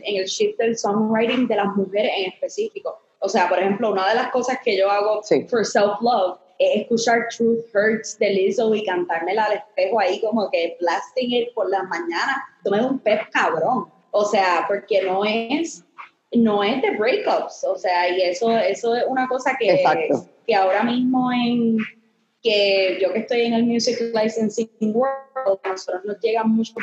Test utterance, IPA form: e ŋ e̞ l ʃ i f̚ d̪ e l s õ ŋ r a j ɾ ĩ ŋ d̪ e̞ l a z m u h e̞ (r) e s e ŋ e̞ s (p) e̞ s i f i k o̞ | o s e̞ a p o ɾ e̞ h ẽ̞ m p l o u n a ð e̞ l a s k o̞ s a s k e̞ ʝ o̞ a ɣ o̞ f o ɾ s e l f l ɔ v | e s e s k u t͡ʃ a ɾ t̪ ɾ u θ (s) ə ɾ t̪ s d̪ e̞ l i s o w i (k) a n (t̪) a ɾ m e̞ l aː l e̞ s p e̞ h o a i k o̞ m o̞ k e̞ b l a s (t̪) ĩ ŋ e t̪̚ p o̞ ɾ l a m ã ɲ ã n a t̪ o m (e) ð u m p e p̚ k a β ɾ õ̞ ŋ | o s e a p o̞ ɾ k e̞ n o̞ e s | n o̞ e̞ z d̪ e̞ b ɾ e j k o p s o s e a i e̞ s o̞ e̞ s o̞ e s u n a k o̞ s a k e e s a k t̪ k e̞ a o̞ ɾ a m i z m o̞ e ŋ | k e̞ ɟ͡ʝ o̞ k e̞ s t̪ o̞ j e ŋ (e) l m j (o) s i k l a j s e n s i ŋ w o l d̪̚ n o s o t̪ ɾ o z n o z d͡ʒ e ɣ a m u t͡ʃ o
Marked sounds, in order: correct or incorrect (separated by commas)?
incorrect, correct, incorrect, correct, correct, correct, correct, correct, incorrect